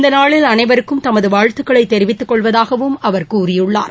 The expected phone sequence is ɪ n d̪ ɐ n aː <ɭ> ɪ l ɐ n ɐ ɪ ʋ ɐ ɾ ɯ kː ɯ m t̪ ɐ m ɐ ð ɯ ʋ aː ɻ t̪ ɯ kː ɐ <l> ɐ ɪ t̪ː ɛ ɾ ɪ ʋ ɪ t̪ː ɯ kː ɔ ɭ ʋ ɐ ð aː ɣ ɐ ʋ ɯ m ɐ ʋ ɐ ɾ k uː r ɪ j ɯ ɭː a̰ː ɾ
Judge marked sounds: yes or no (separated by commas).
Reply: yes, no